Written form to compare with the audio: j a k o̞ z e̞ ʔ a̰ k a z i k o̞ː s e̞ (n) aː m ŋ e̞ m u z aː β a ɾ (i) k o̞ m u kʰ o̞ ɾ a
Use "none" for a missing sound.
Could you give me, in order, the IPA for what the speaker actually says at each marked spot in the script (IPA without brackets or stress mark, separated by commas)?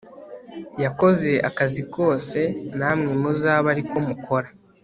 n, i